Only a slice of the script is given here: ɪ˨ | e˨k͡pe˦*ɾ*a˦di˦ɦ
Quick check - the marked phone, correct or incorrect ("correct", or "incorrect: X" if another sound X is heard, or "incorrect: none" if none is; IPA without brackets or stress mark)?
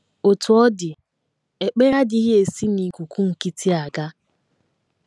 correct